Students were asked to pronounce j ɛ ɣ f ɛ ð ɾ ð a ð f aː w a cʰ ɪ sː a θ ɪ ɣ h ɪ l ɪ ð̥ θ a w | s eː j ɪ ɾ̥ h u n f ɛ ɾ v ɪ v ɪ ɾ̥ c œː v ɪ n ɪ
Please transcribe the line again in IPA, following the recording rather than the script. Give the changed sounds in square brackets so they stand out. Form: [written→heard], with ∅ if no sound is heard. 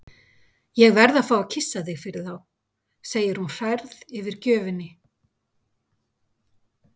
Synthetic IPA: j ɛ ɣ [f→v] ɛ [ð→∅] ɾ ð a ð f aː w a cʰ ɪ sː a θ ɪ ɣ [h→f] ɪ [l→ɾ] ɪ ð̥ θ a w | s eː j ɪ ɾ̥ h u n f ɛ ɾ [v→ð] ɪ v ɪ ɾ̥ c œː v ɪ n ɪ

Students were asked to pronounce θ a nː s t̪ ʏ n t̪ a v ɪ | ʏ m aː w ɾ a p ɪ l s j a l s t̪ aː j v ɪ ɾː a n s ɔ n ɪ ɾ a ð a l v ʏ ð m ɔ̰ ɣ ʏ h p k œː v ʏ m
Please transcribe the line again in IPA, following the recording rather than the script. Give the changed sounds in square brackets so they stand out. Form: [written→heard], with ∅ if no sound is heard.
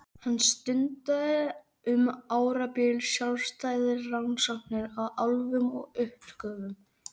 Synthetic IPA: [θ→h] a nː s t̪ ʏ n t̪ a [v→ð] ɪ | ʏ m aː w ɾ a p ɪ l s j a l s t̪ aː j [v→ð] ɪ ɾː a n s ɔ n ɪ ɾ a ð a l v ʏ [ð→∅] m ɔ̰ ɣ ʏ h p k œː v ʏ m

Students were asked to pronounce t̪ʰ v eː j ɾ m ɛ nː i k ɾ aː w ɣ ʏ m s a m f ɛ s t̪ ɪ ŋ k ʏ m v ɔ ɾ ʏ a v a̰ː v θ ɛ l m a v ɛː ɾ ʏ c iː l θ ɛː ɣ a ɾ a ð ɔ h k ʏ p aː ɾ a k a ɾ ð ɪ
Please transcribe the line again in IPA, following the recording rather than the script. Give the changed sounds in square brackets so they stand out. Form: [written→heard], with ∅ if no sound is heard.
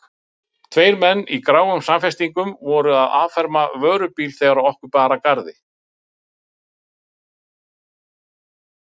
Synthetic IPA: t̪ʰ v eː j ɾ m ɛ nː i k ɾ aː w ɣ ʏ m s a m f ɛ s t̪ [ɪ→i] ŋ k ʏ m v ɔ ɾ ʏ a [v→ð] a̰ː v [θ→f] ɛ [l→ɾ] m a v [ɛː→œː] ɾ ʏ [c→p] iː l θ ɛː ɣ a ɾ a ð ɔ h k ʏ p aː ɾ a k a ɾ ð ɪ

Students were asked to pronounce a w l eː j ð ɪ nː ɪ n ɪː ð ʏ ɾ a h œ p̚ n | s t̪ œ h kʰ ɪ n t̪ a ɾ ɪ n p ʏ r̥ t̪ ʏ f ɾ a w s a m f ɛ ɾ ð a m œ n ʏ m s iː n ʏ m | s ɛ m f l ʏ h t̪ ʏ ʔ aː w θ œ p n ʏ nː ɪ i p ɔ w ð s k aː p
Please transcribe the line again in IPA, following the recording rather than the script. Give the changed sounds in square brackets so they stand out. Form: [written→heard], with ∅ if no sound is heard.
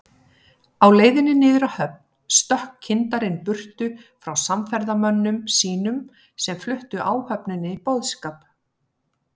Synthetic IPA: a w l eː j ð ɪ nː ɪ n ɪː ð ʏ ɾ a h œ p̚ n | s t̪ œ h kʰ ɪ n t̪ a ɾ ɪ n p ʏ r̥ t̪ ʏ f ɾ a w s a m f ɛ ɾ ð a m œ [n→nː] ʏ m s iː n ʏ m | s ɛ m f l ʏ h t̪ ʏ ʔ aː w [θ→h] œ p n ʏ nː ɪ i p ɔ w ð s k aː p

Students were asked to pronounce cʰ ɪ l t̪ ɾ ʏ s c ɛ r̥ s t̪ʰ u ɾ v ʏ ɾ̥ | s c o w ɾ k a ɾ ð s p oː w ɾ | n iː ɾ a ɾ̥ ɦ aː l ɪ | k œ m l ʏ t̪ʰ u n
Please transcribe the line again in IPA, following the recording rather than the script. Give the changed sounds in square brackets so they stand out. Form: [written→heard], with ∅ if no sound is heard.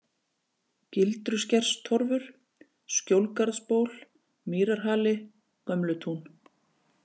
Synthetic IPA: [cʰ→c] ɪ l t̪ ɾ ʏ s c ɛ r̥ s t̪ʰ [u→ɔ] ɾ v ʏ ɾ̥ | s c o w [ɾ→l] k a ɾ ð s p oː w [ɾ→l] | [n→m] iː ɾ a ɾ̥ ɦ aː l ɪ | k œ m l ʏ t̪ʰ u n

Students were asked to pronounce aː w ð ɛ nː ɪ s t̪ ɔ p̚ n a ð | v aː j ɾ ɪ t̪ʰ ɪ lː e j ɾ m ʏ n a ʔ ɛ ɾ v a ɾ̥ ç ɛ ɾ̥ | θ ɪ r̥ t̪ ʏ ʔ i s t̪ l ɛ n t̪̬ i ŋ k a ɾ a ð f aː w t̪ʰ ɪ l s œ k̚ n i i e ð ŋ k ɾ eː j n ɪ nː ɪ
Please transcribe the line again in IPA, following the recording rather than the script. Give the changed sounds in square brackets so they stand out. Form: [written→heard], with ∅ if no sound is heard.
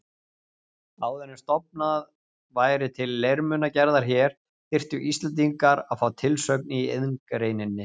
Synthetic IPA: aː w ð ɛ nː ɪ s t̪ ɔ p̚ n a ð | v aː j ɾ ɪ t̪ʰ ɪ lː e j ɾ m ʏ n a [ʔ→c] ɛ ɾ [v→ð] a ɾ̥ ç ɛ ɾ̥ | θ ɪ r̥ t̪ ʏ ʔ i s t̪ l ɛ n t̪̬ i ŋ k a ɾ a ð f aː w t̪ʰ ɪ l s œ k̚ n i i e ð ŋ k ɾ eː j n ɪ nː ɪ

